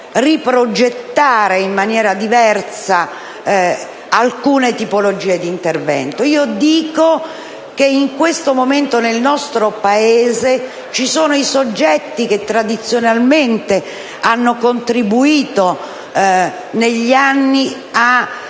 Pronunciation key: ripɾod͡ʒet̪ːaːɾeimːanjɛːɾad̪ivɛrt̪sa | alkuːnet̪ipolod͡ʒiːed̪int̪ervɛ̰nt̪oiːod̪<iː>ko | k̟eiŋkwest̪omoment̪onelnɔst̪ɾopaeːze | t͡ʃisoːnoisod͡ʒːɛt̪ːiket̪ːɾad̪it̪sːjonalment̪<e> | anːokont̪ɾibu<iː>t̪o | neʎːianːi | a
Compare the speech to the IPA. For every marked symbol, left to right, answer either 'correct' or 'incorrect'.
correct, correct, correct

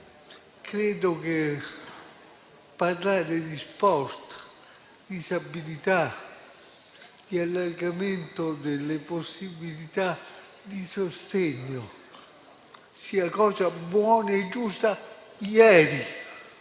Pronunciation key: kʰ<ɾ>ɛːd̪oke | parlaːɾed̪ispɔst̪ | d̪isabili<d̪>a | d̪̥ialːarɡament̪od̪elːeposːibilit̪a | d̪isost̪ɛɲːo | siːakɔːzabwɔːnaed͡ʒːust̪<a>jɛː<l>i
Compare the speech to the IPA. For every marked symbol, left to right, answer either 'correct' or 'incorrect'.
correct, incorrect: t̪, correct, incorrect: ɾ

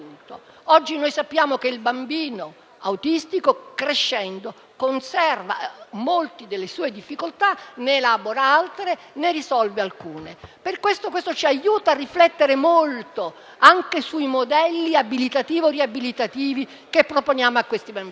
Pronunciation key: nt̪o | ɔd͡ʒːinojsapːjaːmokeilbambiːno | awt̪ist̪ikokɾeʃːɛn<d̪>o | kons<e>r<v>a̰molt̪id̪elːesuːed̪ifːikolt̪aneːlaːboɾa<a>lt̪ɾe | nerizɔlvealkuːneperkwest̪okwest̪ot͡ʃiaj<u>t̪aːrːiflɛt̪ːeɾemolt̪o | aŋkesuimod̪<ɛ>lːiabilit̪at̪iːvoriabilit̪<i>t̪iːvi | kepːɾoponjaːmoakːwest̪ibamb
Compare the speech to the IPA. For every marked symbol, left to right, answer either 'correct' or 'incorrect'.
correct, incorrect: ɛ, correct, correct, incorrect: uː, correct, incorrect: a

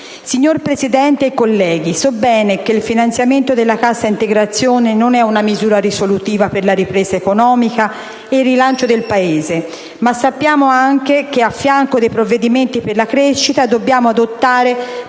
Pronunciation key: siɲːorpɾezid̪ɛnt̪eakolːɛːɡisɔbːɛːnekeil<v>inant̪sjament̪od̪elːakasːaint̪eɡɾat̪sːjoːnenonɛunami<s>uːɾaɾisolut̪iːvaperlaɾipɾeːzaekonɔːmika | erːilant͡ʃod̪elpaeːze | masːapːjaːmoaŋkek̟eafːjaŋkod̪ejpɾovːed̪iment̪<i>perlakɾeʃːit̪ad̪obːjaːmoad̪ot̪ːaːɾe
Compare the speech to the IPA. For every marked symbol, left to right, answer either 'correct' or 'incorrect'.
incorrect: f, incorrect: z, correct

